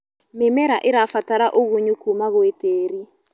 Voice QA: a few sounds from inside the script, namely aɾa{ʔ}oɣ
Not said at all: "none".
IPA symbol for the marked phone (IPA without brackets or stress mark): ʔ